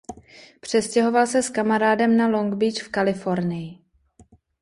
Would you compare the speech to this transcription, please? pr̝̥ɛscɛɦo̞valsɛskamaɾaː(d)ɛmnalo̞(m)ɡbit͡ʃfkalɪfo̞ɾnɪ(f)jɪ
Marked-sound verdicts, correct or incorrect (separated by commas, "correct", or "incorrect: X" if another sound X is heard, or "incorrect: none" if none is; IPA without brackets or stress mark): correct, incorrect: ŋ, incorrect: none